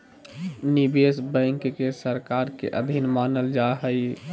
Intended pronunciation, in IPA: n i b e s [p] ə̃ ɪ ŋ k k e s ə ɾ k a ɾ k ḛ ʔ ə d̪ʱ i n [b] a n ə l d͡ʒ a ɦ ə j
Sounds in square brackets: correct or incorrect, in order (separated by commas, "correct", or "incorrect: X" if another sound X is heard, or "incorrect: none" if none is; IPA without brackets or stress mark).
incorrect: b, incorrect: m